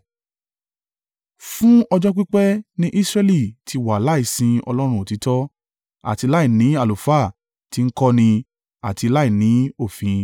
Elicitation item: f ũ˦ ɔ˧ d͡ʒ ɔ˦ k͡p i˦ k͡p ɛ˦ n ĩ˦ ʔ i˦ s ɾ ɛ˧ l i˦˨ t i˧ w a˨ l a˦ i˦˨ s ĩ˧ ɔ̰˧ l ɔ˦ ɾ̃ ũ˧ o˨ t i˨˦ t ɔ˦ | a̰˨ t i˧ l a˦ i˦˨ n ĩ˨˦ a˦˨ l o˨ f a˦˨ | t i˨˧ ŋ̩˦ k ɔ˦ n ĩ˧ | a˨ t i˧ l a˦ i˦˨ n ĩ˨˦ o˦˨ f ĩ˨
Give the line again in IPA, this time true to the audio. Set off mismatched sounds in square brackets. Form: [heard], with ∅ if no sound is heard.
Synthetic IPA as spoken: f ũ˦ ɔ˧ d͡ʒ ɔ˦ k͡p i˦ k͡p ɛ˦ n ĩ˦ ʔ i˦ s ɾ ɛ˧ l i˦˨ t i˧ w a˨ l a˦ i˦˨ s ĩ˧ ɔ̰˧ l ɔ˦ ɾ̃ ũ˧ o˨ t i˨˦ t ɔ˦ | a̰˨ t i˧ l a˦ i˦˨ n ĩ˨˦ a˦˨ l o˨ f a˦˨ | t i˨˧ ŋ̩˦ k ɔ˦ n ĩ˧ | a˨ t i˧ l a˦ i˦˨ n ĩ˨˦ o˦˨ f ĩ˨